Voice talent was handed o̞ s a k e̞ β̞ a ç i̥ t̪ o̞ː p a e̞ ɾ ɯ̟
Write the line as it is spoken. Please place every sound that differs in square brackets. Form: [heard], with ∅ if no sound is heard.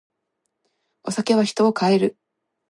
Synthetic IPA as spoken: o̞ s a k e̞ β̞ a ç i̥ t̪ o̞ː [k] a e̞ ɾ ɯ̟